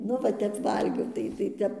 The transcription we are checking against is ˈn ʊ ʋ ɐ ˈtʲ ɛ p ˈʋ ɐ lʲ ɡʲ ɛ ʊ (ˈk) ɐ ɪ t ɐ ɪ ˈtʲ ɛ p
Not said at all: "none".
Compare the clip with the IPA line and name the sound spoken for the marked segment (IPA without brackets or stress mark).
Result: t